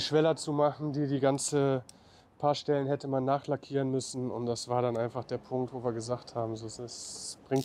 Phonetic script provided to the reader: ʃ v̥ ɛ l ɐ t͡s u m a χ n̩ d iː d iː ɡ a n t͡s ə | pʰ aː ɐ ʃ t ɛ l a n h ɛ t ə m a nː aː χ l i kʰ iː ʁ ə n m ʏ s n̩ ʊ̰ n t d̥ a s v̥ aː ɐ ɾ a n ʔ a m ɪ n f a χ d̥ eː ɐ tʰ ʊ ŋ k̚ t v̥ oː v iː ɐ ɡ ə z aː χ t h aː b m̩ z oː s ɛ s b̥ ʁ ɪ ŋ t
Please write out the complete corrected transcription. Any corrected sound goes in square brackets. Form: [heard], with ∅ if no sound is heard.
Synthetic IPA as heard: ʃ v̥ ɛ l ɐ t͡s u m a χ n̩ d iː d iː ɡ a n t͡s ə | pʰ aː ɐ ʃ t ɛ l [ə] n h ɛ t ə m a nː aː χ l [a] kʰ iː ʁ ə n m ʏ s n̩ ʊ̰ n t d̥ a s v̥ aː ɐ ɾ a n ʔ a [∅] ɪ n f a χ d̥ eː ɐ [pʰ] ʊ ŋ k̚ t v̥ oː v iː ɐ ɡ ə z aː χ t h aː b m̩ z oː s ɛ s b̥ ʁ ɪ ŋ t